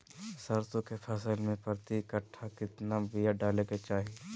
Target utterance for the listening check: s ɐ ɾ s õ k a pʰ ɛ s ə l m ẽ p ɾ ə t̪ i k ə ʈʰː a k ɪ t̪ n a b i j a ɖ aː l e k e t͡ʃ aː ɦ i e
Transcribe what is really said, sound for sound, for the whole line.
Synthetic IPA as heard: s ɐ ɾ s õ k e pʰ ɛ s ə l m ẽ p ɾ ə t̪ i k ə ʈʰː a k ɪ t̪ n a b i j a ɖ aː l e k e t͡ʃ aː ɦ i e